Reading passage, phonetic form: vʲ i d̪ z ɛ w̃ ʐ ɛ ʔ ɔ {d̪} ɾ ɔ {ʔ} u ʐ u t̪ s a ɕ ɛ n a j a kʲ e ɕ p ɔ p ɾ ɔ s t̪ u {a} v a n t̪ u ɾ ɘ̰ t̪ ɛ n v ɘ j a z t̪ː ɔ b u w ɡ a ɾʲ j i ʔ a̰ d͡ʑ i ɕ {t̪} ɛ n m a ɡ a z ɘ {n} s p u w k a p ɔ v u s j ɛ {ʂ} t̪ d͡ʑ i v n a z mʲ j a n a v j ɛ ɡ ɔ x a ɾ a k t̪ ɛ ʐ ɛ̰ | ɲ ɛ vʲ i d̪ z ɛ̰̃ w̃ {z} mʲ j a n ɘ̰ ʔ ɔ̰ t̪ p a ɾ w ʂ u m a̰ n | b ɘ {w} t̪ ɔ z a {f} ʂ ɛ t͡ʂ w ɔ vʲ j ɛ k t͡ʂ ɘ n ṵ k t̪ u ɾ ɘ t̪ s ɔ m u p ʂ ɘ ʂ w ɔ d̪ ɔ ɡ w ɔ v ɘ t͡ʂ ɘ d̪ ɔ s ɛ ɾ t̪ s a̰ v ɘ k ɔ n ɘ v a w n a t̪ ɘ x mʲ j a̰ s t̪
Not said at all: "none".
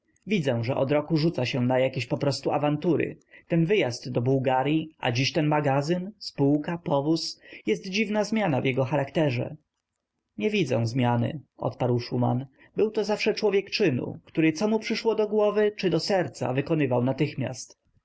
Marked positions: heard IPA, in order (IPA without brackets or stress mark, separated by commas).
d̪, k, a, t̪, n, s, z, w, f